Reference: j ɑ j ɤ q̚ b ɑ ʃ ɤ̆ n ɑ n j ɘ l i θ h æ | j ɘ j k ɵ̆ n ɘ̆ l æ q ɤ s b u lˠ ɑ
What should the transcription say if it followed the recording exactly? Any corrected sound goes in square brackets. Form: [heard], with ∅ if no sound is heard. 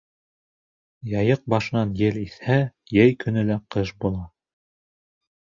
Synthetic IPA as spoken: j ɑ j ɤ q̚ b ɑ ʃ ɤ̆ n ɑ n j ɘ l i θ h æ | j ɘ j k ɵ̆ n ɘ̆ l æ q ɤ [ʃ] b u lˠ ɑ